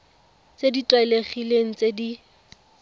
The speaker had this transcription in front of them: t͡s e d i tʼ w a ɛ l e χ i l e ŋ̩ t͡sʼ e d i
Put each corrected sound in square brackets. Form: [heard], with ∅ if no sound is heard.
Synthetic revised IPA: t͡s e d i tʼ w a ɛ l e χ i l e ŋ̩ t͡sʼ e d i